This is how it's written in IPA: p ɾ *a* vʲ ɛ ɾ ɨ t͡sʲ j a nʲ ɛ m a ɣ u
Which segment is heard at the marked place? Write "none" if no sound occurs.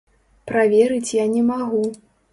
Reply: a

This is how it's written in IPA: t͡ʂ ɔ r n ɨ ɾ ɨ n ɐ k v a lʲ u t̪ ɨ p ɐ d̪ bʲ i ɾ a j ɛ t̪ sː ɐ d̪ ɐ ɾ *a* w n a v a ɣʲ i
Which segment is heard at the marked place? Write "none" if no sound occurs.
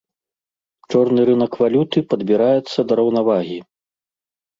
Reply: ɐ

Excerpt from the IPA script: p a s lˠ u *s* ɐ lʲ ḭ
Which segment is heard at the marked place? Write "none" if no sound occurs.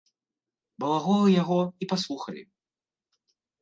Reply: x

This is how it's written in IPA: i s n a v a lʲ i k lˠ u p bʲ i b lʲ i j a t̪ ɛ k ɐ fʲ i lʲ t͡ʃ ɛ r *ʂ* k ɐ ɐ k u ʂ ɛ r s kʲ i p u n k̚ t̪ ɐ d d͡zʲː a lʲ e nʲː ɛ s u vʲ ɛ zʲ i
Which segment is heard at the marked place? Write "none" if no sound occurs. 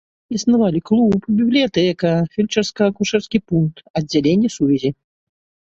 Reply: s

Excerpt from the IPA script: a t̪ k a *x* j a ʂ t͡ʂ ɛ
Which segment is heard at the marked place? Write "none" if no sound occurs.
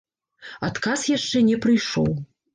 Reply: s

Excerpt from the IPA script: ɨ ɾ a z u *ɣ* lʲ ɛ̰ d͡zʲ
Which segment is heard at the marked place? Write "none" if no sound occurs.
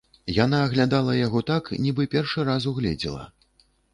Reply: ɣ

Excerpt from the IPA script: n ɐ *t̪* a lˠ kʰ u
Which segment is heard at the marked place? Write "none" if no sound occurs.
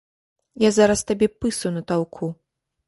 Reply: t̪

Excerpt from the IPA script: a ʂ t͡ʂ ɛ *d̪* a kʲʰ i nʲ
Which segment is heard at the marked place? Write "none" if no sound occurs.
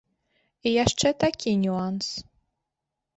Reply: t̪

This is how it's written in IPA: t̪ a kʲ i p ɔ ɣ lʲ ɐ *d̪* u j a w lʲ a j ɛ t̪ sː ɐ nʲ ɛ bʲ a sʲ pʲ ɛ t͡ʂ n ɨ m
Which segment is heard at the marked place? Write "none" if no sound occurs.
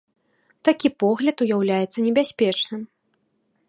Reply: t̪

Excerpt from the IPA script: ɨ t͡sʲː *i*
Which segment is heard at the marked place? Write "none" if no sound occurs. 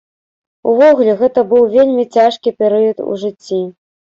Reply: i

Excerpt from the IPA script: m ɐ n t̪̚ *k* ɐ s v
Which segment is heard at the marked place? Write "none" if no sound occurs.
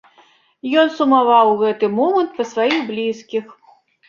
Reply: p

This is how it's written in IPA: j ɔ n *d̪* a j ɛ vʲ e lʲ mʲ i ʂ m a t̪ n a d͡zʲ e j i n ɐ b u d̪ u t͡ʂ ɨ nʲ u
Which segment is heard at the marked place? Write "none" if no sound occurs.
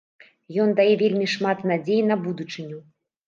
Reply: d̪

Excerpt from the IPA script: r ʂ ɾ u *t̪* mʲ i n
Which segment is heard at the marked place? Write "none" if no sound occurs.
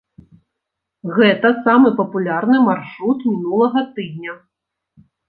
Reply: t̪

